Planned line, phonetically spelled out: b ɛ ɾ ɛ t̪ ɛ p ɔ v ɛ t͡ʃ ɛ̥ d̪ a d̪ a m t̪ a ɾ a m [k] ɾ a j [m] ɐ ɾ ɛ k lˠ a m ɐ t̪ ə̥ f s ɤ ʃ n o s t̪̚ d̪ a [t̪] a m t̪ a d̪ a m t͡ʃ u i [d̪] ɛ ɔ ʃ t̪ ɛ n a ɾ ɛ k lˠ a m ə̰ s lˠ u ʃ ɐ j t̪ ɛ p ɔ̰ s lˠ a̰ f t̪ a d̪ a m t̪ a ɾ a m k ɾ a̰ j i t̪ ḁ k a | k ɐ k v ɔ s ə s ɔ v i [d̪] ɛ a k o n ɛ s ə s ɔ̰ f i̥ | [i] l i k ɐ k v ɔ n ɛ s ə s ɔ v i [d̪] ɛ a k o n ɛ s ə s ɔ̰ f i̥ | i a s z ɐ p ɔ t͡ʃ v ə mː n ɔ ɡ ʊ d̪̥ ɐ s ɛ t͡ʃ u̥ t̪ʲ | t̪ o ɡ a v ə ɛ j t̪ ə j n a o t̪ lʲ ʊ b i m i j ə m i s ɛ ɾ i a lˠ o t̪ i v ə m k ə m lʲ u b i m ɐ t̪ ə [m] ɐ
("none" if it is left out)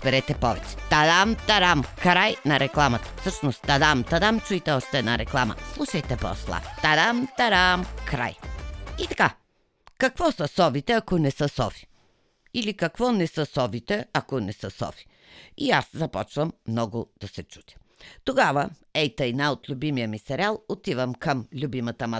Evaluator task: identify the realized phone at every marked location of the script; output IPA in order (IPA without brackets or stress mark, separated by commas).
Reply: k, n, d̪, t̪, t̪, i, t̪, m